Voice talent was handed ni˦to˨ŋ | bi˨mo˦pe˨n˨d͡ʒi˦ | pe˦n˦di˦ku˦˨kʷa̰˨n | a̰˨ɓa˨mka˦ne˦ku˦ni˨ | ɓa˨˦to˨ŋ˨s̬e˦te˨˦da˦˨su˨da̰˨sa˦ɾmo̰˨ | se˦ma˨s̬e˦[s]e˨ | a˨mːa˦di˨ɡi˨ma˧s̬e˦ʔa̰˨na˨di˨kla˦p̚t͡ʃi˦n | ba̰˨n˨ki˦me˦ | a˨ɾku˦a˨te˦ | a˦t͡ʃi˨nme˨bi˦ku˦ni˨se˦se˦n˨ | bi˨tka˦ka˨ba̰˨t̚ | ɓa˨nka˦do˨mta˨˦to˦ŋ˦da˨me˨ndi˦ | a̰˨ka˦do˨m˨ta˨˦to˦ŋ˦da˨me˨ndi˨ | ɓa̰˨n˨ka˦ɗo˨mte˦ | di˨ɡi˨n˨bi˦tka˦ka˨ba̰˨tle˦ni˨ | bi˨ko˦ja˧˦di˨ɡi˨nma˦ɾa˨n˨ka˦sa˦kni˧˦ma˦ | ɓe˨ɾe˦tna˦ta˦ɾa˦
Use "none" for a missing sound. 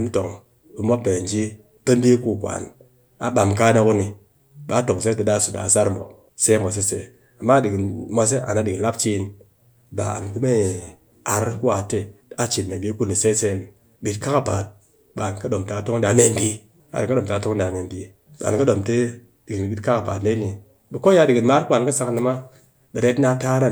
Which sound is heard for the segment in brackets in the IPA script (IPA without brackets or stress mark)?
s